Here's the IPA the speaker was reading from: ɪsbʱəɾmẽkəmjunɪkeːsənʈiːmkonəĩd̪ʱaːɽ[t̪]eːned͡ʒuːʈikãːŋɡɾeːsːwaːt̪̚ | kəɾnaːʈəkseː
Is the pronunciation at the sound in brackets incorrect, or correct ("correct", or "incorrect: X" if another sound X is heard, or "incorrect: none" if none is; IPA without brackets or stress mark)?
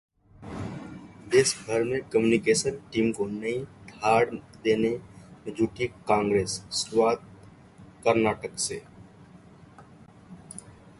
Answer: incorrect: d̪